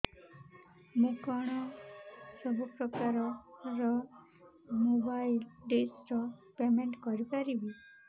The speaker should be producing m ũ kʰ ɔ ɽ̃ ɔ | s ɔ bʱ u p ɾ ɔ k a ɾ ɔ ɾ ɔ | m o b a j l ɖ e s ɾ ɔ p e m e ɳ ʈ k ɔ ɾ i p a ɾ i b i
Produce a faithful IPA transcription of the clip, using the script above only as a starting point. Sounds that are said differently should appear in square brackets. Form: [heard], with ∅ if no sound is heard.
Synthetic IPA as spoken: m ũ [k] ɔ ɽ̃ ɔ | s ɔ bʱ u p ɾ ɔ k a ɾ ɔ ɾ ɔ | m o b a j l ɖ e s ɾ ɔ p e m e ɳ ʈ k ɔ ɾ i p a ɾ i b i